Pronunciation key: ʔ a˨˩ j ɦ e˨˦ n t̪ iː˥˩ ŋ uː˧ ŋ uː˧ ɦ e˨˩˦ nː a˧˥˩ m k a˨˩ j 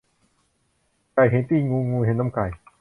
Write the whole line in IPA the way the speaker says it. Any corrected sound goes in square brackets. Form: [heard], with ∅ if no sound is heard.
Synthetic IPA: [k] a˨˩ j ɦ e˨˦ n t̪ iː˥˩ ŋ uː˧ ŋ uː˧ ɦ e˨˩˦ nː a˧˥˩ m k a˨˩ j